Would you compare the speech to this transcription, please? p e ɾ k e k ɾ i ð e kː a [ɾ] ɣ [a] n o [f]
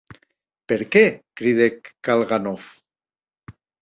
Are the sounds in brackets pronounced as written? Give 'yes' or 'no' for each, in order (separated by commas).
no, yes, yes